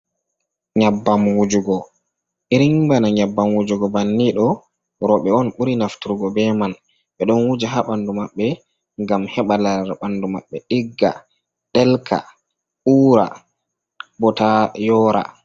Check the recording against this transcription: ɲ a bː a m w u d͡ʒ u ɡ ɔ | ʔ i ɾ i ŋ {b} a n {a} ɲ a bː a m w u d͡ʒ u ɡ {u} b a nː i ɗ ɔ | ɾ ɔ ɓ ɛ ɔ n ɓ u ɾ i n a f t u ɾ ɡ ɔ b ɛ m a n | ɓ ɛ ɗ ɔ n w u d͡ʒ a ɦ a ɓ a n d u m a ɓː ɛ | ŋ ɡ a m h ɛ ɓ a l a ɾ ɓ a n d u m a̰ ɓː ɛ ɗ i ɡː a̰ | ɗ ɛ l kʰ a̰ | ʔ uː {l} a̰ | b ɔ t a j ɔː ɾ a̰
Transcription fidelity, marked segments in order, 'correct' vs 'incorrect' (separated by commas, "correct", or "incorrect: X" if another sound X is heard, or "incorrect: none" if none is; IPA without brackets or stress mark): correct, correct, incorrect: ɔ, incorrect: ɾ